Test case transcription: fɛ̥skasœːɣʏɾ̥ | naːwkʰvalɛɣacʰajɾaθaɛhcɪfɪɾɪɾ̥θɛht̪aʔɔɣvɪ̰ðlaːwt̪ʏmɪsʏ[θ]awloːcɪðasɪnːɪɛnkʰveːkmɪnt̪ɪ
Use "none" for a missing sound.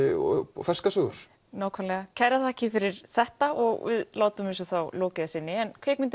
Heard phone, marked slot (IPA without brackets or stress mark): θ